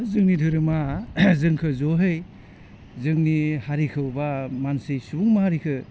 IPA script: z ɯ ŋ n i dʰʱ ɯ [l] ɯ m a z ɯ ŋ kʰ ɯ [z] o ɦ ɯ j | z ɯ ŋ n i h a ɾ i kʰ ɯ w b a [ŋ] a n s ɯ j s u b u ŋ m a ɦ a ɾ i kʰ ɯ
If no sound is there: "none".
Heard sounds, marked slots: ɾ, z, m

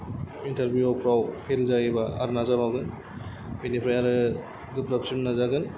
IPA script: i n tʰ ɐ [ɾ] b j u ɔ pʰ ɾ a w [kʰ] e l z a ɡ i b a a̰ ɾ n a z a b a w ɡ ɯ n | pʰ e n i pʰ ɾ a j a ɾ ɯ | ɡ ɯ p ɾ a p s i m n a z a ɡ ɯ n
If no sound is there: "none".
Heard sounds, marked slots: ɾ, pʰ

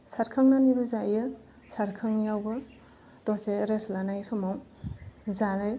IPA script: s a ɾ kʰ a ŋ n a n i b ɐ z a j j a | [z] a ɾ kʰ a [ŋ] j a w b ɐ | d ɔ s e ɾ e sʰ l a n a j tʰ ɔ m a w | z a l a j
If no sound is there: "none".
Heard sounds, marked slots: s, ŋ

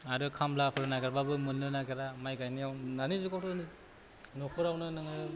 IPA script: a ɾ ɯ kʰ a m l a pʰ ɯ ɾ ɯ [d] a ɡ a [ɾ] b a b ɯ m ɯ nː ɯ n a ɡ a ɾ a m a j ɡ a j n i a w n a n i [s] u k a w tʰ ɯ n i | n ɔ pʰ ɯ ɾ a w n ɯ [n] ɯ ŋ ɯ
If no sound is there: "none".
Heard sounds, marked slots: n, ɾ, z, n

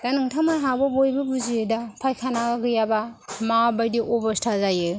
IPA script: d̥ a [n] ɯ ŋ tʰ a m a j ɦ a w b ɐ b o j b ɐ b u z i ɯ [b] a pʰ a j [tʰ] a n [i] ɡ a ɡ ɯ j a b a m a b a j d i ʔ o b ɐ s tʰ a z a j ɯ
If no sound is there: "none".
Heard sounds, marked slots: n, d, kʰ, a

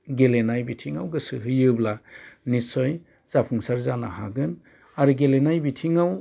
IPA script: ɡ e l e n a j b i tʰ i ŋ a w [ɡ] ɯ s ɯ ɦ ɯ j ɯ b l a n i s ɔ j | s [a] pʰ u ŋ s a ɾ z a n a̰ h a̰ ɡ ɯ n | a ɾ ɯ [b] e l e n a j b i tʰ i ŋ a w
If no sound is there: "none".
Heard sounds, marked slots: ɡ, a, ɡ

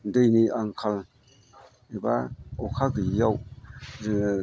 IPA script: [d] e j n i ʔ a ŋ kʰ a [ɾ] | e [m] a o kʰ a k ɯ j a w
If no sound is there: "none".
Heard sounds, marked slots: d, l, b

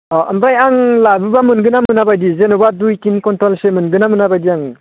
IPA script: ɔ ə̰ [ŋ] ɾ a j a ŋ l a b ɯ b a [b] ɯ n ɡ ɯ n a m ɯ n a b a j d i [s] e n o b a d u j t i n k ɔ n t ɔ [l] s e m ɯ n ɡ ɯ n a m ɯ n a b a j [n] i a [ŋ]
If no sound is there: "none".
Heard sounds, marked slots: m, m, z, l, d, ŋ

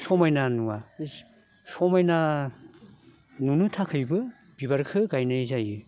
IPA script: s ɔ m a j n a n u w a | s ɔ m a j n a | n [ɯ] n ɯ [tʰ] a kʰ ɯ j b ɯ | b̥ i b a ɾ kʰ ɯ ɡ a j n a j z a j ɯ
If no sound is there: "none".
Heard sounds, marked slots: u, tʰ

